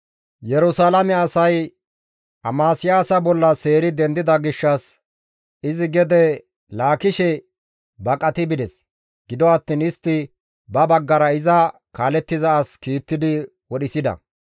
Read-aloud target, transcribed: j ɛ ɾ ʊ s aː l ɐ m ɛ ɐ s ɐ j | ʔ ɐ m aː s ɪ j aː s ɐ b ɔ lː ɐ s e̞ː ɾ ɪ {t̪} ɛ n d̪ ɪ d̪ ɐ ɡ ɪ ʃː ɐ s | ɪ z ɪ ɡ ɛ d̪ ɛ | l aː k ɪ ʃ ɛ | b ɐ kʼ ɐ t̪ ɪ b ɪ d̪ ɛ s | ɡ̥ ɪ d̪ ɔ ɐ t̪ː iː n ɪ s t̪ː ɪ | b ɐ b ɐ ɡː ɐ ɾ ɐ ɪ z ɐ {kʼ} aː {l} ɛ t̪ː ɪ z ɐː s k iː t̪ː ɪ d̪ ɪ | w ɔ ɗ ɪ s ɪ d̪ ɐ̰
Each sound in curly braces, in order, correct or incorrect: incorrect: d̪, incorrect: k, correct

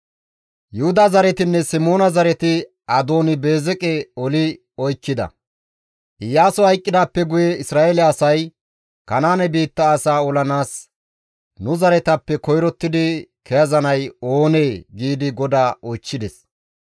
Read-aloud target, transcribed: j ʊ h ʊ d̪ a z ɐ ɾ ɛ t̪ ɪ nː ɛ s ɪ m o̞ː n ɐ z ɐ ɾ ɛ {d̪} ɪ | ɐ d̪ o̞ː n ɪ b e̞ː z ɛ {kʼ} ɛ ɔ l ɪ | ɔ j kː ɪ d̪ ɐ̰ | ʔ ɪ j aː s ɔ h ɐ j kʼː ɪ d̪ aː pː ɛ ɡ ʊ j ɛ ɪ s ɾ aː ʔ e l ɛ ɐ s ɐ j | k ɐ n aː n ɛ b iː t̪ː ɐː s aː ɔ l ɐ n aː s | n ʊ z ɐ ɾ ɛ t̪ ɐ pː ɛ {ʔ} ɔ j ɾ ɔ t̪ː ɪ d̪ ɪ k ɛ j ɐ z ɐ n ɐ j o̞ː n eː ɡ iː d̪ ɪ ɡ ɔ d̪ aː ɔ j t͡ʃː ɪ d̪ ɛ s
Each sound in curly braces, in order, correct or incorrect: incorrect: t̪, correct, incorrect: k

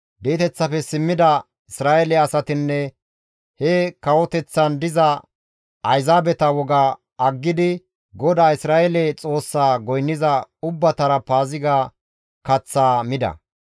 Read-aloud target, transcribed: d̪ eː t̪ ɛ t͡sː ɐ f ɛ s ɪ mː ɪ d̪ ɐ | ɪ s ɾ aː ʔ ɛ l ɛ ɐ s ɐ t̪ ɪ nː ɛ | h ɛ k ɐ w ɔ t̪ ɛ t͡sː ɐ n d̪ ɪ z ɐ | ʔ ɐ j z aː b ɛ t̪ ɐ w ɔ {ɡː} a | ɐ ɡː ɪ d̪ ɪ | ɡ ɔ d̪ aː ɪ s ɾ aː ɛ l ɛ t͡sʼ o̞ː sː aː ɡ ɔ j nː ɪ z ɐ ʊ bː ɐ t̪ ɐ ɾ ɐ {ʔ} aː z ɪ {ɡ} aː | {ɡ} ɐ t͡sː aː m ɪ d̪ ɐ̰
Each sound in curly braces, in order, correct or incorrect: incorrect: ɡ, incorrect: p, correct, incorrect: k

